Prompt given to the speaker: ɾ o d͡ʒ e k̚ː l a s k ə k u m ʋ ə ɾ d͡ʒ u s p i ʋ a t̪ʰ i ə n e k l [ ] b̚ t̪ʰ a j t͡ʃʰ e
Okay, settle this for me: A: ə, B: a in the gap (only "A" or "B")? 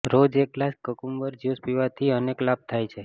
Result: B